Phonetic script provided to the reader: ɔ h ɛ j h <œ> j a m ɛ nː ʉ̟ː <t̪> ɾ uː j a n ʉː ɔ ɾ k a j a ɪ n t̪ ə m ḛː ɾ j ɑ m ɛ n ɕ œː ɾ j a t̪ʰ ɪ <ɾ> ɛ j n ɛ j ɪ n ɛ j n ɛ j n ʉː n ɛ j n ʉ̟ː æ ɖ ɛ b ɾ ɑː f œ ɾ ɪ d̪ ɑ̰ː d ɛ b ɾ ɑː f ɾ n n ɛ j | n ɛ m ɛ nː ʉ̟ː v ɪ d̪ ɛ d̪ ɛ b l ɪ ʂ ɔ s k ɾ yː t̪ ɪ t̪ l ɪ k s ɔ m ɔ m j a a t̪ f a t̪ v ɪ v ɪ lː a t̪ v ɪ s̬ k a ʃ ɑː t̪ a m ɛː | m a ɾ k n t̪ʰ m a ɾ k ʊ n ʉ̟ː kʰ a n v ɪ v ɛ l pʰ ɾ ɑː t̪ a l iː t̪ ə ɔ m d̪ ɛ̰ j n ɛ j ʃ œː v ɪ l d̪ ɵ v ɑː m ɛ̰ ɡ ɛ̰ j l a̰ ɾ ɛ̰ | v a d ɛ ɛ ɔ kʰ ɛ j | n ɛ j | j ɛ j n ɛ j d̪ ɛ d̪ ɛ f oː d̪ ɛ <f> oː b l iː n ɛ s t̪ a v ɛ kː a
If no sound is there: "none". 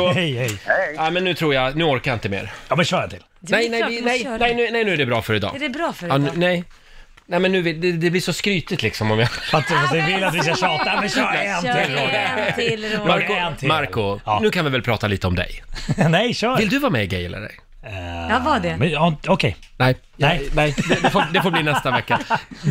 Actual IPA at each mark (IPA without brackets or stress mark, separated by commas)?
ɛ, t̪ʰ, l, f